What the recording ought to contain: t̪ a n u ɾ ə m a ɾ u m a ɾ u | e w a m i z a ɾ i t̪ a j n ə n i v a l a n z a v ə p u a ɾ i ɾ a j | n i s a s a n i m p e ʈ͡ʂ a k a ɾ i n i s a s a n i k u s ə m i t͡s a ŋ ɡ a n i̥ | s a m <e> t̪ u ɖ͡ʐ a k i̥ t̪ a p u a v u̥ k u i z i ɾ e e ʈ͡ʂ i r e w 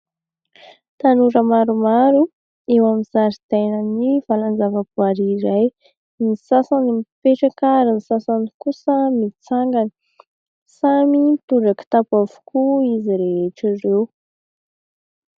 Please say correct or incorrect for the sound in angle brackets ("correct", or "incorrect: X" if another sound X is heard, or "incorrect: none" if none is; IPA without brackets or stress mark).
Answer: incorrect: i